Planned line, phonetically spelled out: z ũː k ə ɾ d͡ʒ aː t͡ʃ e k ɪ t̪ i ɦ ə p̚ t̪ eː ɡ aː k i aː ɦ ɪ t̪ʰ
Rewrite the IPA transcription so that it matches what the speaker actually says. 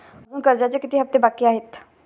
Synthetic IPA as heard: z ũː k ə ɾ d͡ʒ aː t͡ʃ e k ɪ t̪ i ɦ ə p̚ t̪ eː b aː k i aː ɦ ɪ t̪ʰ